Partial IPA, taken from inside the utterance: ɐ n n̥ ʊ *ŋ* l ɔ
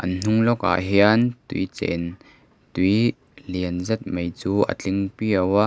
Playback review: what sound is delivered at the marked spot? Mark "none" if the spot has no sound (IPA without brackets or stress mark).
ŋ